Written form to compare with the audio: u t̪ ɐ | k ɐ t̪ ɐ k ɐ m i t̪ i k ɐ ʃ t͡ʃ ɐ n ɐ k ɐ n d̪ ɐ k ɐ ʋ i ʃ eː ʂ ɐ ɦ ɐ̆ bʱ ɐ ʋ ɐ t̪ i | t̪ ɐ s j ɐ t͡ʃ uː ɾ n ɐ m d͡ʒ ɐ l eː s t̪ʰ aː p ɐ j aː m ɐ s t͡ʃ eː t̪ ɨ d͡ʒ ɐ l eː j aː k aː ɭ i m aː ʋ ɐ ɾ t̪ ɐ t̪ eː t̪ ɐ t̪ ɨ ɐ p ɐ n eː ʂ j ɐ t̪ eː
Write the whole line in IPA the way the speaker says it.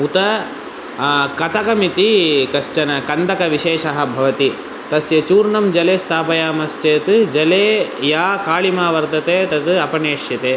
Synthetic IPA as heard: u t̪ ɐ | k ɐ t̪ ɐ k ɐ m i t̪ i k ɐ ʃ t͡ʃ ɐ n ɐ k ɐ n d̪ ɐ k ɐ ʋ i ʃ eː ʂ ɐ ɦ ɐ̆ bʱ ɐ ʋ ɐ t̪ i | t̪ ɐ s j ɐ t͡ʃ uː ɾ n ɐ m d͡ʒ ɐ l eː s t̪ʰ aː p ɐ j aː m ɐ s t͡ʃ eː t̪ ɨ d͡ʒ ɐ l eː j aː k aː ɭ i m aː ʋ ɐ ɾ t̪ ɐ t̪ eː t̪ ɐ t̪ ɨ ɐ p ɐ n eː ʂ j ɐ t̪ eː